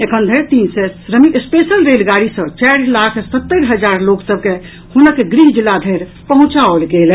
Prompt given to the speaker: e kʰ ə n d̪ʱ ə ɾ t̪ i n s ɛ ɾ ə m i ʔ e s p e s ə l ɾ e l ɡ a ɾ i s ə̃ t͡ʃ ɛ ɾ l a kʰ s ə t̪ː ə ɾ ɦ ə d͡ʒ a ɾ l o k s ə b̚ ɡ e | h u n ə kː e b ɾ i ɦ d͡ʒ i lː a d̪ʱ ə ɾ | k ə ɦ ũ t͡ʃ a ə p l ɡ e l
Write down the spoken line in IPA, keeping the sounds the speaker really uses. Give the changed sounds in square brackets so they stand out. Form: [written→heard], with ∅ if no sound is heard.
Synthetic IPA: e kʰ ə n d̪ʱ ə ɾ t̪ i n s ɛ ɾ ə m i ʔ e s p e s ə l ɾ e l ɡ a ɾ i s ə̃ t͡ʃ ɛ ɾ l a kʰ s ə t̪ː ə ɾ ɦ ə d͡ʒ a ɾ l o k s ə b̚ [ɡ→k] e | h u n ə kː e [b→ɡ] ɾ i ɦ d͡ʒ i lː a d̪ʱ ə ɾ | [k→p] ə ɦ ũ t͡ʃ a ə [p→∅] l ɡ e l